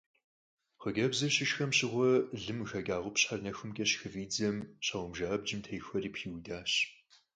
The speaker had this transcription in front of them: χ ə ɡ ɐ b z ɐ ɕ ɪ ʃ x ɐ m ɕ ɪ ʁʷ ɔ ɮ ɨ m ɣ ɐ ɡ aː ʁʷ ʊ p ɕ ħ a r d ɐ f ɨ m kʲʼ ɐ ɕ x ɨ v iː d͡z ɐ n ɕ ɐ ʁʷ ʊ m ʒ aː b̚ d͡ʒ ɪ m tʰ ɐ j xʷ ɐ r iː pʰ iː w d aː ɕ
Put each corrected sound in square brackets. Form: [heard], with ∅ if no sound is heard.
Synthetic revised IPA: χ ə ɡ ɐ b z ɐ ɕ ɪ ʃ x ɐ m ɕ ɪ ʁʷ ɔ ɮ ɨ m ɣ ɐ ɡ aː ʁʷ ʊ p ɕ ħ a r [n] ɐ [x] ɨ m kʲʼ ɐ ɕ x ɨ v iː d͡z ɐ [m] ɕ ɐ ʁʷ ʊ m ʒ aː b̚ d͡ʒ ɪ m tʰ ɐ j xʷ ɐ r iː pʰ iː w d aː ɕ